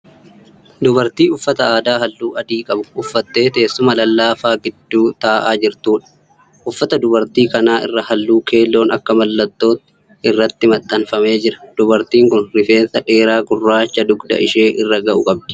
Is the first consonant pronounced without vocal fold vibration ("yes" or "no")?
no